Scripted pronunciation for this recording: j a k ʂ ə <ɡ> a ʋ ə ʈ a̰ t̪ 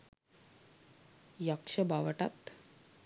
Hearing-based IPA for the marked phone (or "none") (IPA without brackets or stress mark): b